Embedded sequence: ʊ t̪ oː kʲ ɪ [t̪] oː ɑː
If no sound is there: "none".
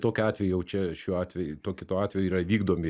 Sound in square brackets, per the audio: t̪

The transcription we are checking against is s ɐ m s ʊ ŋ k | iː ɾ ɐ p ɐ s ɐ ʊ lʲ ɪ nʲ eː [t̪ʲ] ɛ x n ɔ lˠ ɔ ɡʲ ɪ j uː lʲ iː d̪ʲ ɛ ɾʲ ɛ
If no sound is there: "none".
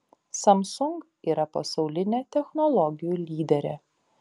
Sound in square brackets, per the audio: t̪ʲ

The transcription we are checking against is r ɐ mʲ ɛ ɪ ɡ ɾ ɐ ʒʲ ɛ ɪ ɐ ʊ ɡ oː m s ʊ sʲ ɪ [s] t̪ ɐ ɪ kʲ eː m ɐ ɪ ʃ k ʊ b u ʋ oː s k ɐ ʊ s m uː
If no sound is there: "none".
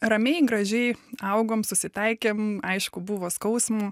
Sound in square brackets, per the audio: none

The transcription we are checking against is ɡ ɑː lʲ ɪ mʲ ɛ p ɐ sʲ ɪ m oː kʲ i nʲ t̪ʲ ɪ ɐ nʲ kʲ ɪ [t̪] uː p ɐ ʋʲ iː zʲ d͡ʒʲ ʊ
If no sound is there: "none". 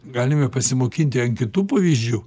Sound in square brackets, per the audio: t̪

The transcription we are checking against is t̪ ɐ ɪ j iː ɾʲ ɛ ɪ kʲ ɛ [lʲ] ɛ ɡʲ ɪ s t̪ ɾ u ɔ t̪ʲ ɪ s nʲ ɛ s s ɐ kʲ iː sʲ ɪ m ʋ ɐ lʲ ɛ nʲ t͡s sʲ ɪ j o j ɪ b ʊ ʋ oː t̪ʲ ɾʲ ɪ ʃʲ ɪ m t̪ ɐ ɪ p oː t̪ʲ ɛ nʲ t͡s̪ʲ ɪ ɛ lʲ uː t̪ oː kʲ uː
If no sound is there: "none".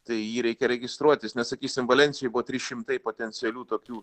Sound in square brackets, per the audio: ɾʲ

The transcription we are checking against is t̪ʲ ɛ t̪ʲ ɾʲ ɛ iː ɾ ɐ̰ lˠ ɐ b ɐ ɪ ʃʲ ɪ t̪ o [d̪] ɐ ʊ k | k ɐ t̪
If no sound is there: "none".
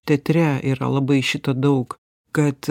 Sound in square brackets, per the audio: d̪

